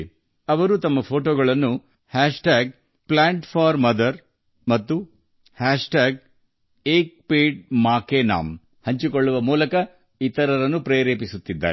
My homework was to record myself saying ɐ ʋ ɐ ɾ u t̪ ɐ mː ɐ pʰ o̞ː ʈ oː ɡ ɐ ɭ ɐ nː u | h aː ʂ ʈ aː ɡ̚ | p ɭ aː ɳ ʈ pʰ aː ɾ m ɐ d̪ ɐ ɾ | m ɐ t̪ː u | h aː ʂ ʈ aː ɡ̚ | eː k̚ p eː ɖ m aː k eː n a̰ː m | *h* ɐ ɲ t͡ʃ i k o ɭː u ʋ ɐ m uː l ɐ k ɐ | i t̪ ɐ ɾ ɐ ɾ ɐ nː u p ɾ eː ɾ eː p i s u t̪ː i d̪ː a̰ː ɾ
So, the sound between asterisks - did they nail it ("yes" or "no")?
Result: yes